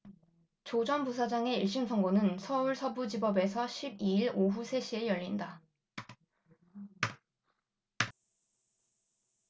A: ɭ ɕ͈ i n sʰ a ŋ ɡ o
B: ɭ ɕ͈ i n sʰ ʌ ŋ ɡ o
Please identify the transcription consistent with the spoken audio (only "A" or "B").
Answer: B